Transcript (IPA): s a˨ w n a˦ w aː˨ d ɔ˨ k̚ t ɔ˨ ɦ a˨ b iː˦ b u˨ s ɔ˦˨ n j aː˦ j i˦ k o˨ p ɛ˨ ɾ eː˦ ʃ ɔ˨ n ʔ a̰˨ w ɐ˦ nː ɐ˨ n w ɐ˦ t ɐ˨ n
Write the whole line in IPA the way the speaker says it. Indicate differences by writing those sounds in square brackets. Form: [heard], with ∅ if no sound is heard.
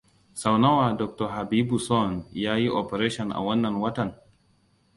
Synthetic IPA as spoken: s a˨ w n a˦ w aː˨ d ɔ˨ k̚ t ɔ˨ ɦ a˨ b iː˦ b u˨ s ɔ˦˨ n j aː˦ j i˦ [ʔ] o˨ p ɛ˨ ɾ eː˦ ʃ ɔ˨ n ʔ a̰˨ w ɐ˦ nː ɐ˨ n w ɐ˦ t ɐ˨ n